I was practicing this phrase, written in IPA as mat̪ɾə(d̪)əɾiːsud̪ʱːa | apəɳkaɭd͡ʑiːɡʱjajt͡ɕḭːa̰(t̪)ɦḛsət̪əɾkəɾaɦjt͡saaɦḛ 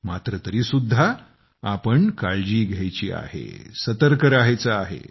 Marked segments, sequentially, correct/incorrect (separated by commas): incorrect, incorrect